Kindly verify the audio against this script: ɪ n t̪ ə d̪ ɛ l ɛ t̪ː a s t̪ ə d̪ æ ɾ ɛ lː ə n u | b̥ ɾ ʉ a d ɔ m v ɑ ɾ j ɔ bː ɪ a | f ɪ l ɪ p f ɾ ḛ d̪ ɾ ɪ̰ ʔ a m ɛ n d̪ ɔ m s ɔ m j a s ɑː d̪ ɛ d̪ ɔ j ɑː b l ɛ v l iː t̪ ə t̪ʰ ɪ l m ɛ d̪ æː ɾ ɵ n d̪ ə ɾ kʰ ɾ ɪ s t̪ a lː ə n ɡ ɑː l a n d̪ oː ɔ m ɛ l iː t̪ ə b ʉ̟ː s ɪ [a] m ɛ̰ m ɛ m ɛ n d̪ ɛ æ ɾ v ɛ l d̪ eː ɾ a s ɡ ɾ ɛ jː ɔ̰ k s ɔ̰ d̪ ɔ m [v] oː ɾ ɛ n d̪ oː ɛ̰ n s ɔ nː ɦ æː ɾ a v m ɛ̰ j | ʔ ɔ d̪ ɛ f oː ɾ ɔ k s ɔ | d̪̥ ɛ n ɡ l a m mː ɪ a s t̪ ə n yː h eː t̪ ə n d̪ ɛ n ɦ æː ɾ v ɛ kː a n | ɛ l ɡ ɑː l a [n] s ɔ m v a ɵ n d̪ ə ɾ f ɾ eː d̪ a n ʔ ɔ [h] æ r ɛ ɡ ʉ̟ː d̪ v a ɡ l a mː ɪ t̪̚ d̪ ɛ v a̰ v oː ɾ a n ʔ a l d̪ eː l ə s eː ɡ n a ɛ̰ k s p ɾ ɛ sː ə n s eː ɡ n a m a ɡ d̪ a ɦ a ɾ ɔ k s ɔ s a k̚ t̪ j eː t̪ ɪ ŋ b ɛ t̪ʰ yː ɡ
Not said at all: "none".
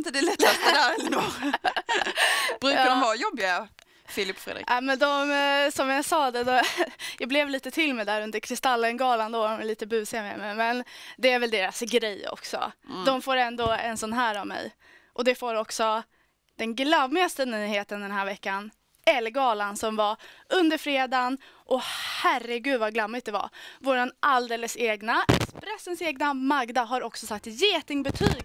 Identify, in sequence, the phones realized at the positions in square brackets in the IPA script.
a, f, n, h

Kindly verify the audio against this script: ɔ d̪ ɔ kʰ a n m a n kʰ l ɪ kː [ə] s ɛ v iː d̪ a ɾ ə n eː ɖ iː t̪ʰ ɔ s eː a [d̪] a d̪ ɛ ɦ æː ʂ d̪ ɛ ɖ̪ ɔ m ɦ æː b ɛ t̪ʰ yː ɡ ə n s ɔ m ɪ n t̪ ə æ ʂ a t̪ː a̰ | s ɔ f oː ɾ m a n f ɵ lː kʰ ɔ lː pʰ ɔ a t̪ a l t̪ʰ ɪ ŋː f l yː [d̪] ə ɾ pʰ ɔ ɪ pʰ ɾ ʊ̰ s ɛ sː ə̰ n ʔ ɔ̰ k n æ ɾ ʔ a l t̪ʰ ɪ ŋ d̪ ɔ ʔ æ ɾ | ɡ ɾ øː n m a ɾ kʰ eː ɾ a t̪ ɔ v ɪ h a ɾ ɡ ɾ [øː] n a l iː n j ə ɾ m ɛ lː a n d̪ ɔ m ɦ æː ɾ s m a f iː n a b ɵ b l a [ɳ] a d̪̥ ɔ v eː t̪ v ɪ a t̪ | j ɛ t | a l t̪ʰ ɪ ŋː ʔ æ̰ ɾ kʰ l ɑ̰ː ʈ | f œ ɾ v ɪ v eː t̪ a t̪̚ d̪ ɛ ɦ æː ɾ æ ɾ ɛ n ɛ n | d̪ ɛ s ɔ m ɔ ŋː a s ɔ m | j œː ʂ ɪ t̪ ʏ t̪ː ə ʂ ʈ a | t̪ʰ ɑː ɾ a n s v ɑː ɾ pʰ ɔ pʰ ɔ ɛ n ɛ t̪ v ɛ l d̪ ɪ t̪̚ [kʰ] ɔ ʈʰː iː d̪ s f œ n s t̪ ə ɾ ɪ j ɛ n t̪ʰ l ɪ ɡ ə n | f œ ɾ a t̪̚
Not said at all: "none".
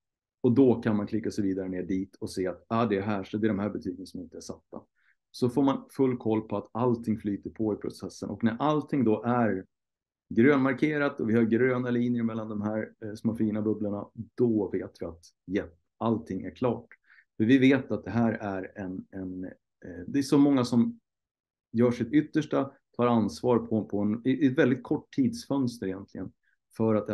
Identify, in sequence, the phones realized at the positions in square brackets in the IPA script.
a, t̪, t̪, øː, ɳ, kʰ

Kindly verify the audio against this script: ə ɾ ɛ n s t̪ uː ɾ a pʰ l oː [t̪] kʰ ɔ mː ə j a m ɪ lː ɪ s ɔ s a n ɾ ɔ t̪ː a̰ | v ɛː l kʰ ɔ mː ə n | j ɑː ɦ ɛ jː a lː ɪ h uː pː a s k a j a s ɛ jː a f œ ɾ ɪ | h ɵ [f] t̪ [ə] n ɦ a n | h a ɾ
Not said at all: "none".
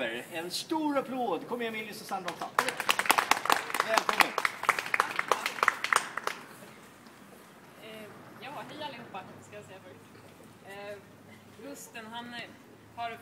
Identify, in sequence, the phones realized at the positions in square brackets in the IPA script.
d̪, s, ə

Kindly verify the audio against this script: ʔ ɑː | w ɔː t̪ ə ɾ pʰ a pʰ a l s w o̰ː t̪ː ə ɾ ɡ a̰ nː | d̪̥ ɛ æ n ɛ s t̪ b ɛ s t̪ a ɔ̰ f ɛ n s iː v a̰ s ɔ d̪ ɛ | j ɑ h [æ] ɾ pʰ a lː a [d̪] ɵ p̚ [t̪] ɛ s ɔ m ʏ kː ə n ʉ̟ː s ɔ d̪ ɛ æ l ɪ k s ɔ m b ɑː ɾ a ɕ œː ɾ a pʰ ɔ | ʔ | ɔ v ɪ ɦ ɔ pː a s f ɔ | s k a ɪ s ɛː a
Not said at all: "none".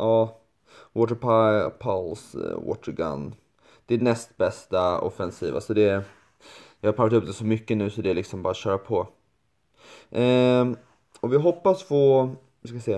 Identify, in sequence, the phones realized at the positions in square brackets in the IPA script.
a, t̪, d̪

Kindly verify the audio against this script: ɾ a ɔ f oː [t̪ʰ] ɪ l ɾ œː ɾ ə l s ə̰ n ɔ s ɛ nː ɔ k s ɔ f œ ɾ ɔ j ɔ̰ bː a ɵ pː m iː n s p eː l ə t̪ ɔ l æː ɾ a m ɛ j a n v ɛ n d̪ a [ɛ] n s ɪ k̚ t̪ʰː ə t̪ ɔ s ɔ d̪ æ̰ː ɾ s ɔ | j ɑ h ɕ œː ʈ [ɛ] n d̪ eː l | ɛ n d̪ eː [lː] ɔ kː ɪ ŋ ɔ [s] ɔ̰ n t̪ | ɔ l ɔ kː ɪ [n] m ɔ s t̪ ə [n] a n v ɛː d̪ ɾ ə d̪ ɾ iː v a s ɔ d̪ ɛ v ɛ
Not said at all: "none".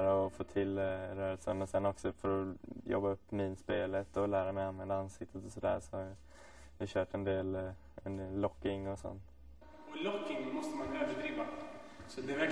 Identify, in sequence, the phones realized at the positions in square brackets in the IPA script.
t̪ʰ, a, ɛ, lː, s, ŋ, m

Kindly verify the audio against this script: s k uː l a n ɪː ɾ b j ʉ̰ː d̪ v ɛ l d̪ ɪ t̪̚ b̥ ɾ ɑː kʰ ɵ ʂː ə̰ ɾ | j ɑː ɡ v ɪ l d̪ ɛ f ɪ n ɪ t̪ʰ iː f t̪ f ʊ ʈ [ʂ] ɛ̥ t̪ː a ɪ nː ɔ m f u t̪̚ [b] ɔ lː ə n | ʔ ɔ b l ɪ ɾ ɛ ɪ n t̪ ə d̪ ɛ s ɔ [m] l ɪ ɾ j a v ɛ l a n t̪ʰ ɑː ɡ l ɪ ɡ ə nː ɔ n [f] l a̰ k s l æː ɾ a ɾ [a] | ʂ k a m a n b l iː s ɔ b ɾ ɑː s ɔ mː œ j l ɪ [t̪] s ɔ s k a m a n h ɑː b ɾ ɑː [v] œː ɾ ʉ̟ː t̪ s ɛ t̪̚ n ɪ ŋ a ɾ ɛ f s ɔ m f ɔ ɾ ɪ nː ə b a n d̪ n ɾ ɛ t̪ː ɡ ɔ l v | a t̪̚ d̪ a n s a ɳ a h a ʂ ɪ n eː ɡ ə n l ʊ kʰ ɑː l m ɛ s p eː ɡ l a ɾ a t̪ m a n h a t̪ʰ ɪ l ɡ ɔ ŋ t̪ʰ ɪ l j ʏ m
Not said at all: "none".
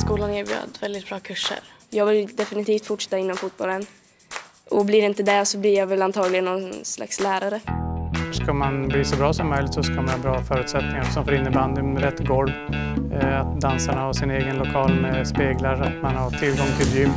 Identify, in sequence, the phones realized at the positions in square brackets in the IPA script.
ʂ, b, b, s, ə, t̪, f

